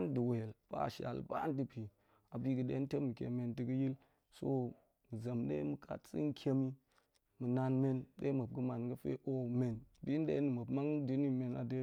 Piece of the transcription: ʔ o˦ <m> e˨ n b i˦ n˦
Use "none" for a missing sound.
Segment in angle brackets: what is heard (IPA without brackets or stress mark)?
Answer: m